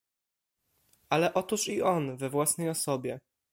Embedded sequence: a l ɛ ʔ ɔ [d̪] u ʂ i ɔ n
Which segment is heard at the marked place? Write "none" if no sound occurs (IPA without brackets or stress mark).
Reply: t̪